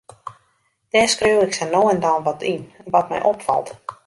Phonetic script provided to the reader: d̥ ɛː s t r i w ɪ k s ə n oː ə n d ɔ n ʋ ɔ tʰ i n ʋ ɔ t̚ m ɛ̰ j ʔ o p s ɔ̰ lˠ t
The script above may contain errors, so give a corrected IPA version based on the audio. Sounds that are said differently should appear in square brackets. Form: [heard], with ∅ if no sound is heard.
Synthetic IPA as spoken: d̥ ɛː s [k] r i w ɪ k s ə n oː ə n d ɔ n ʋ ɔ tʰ i n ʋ ɔ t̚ m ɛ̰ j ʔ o p [f] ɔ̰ lˠ t